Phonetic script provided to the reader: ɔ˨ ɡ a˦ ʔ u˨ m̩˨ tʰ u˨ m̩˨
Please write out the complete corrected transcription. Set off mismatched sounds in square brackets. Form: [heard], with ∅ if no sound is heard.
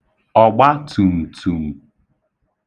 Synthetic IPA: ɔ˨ [ɡ͡b] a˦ [t] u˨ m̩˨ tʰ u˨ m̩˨